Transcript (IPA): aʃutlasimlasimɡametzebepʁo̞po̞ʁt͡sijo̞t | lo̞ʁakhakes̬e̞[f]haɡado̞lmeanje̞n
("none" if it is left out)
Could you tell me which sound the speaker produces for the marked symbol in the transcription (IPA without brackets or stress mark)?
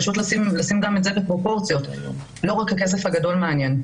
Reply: f